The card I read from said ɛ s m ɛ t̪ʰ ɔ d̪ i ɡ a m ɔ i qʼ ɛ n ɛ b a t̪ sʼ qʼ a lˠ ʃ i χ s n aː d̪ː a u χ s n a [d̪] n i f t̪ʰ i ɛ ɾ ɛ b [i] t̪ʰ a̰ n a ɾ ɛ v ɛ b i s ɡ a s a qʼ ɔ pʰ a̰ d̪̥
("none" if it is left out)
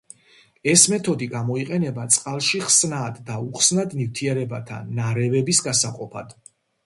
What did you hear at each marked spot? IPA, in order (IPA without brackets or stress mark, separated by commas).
d̪, a